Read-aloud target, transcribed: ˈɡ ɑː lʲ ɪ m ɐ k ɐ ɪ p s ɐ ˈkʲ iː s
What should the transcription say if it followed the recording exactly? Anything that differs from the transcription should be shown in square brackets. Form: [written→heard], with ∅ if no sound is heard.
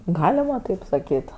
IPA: ˈɡ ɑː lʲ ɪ m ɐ [k→t] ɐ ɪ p s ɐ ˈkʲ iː [s→t]